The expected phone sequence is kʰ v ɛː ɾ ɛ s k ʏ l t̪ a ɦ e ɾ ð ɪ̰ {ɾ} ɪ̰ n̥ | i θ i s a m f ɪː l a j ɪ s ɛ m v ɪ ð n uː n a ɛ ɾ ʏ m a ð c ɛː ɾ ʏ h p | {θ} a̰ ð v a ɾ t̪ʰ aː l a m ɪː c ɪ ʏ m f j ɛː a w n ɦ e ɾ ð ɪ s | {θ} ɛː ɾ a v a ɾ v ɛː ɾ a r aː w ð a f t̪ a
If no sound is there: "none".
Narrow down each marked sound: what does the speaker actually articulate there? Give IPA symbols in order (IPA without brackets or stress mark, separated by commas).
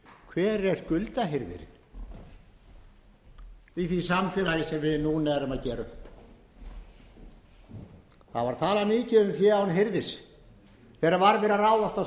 ɾ, θ, θ